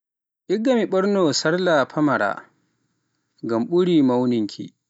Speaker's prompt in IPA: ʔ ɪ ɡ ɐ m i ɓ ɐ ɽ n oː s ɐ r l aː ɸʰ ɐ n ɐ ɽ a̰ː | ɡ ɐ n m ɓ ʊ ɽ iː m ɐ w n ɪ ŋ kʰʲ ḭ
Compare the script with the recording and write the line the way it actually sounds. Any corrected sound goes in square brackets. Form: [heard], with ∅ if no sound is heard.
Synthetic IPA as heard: ʔ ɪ ɡ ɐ m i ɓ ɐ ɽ n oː s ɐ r l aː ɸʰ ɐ [m] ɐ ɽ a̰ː | ɡ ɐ [∅] m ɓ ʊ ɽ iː m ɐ w n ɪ ŋ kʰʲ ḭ